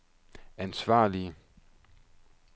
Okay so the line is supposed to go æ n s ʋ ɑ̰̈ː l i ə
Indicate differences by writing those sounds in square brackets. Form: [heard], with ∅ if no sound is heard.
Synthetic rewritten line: æ n s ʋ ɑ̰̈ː l i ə